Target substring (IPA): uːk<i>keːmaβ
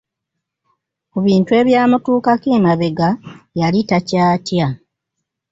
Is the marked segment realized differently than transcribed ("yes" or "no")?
yes